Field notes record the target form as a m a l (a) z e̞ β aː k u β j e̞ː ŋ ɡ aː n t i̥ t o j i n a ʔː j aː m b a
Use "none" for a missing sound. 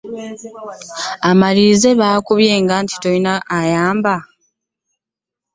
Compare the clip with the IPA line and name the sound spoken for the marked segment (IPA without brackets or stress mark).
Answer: i